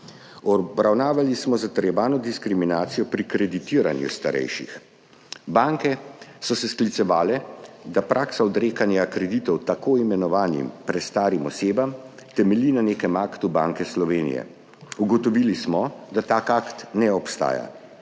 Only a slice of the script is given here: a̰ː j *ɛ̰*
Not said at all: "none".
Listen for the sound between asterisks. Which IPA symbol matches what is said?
a̰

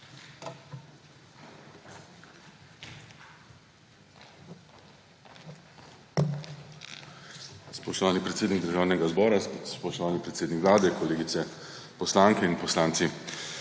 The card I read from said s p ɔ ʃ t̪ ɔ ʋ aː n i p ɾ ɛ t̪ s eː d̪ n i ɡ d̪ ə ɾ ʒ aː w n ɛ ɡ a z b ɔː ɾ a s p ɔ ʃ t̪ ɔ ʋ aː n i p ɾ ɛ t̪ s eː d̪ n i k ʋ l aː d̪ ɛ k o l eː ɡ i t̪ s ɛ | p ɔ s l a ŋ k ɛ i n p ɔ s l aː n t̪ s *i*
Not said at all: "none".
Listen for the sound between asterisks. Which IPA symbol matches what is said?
i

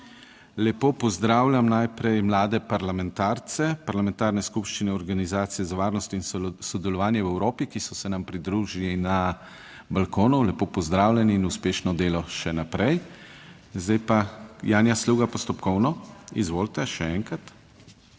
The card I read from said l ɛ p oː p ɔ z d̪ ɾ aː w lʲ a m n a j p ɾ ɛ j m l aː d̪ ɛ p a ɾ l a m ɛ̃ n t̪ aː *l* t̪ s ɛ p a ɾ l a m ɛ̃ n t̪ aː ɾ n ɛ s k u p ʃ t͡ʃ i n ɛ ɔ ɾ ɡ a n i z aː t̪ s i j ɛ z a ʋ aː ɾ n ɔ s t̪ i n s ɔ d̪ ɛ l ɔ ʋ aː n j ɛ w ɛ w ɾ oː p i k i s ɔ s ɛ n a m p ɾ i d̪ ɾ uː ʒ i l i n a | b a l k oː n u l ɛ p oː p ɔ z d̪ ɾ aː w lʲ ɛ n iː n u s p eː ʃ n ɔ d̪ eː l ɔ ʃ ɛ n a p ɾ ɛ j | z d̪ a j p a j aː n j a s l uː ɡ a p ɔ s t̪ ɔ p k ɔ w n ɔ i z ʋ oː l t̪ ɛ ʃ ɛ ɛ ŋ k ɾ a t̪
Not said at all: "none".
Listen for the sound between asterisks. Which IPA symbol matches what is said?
ɾ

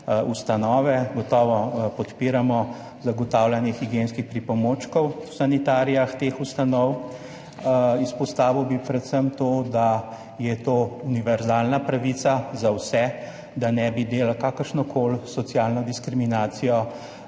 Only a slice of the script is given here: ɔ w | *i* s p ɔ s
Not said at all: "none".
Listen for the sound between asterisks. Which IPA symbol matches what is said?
i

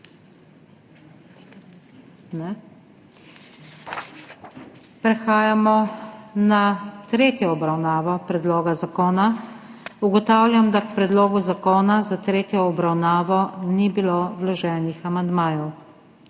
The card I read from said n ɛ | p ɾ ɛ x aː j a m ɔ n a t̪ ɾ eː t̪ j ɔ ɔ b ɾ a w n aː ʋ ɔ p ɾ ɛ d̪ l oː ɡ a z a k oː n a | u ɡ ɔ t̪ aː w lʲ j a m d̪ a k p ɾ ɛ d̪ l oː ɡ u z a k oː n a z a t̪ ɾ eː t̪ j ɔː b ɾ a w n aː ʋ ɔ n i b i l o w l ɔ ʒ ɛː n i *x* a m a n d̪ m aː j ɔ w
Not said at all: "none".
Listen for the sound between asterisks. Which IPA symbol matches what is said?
x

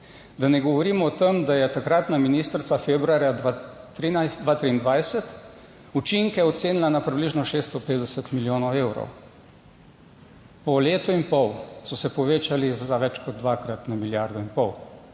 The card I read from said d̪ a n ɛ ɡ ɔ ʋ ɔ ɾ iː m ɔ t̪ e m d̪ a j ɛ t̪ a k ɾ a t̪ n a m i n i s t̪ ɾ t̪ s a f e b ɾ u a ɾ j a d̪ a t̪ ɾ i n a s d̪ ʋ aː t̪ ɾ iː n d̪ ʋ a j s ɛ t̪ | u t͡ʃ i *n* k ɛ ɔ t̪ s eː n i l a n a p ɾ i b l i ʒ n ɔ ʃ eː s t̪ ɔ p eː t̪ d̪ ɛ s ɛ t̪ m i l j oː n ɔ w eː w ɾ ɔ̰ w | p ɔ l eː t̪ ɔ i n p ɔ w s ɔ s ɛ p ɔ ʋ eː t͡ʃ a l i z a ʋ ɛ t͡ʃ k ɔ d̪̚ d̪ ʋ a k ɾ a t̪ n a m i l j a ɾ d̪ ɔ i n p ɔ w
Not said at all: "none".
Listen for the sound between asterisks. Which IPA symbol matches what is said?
ŋ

